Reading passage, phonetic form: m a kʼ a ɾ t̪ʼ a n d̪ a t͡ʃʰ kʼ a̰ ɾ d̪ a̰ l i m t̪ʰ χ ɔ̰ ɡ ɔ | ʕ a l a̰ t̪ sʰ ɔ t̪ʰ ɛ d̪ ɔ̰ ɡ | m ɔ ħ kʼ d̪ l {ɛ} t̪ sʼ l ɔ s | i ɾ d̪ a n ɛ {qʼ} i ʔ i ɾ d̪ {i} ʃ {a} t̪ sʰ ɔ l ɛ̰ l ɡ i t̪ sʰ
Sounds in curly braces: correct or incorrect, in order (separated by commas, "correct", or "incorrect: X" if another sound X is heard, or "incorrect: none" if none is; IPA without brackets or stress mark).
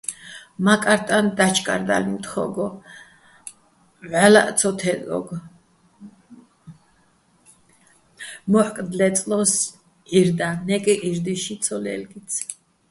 correct, incorrect: kʼ, correct, incorrect: i